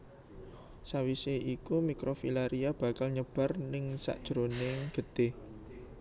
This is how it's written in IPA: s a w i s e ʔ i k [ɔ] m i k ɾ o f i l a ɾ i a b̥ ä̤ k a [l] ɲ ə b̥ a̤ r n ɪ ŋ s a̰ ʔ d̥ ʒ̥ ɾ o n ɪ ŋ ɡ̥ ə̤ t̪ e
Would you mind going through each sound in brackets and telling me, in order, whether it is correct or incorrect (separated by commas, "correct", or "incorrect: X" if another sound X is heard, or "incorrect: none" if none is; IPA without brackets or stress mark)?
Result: incorrect: u, correct